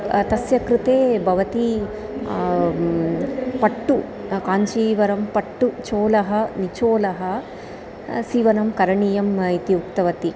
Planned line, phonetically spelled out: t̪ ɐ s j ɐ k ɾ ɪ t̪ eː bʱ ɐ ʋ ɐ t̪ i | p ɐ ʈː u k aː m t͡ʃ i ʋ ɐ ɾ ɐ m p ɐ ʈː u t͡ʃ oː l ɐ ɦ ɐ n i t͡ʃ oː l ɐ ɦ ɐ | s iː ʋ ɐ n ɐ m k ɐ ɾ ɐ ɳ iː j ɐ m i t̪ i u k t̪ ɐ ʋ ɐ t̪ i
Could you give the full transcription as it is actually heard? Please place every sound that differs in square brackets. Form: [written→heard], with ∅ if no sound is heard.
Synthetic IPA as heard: t̪ ɐ s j ɐ k ɾ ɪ t̪ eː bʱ ɐ ʋ ɐ t̪ i | p ɐ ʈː u k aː [m→ɲ] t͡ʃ [i→iː] ʋ ɐ ɾ ɐ m p ɐ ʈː u t͡ʃ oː l ɐ ɦ ɐ n i t͡ʃ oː l ɐ ɦ ɐ | s iː ʋ ɐ n ɐ m k ɐ ɾ ɐ ɳ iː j ɐ m i t̪ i u k t̪ ɐ ʋ ɐ t̪ i